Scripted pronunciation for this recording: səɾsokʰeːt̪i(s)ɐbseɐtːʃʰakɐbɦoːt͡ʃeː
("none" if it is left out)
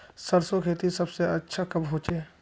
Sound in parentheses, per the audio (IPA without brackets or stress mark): s